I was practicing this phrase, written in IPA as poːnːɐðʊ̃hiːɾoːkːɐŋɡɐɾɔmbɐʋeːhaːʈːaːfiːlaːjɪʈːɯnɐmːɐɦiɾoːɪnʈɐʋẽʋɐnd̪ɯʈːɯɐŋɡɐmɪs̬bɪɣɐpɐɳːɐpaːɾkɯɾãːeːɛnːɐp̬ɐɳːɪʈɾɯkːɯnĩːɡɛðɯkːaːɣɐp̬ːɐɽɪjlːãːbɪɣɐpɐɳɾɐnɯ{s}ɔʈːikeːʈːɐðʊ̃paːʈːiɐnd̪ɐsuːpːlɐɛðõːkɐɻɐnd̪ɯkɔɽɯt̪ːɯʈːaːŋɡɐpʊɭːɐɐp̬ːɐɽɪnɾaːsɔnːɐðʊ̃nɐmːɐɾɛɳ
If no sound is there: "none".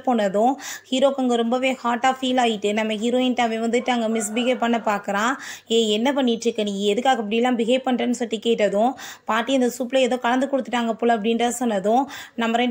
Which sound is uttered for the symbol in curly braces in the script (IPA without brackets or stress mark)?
s